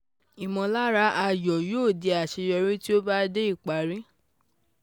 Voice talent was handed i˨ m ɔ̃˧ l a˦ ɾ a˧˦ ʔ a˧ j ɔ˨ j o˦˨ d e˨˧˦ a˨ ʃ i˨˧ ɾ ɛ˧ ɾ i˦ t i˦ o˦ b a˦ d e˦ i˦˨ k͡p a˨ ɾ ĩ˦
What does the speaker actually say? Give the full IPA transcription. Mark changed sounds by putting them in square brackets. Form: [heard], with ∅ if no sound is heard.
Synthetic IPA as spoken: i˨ m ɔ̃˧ l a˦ ɾ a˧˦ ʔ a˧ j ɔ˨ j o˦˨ d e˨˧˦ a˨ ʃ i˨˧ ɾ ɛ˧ ɾ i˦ t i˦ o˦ b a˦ d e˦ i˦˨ k͡p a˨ ɾ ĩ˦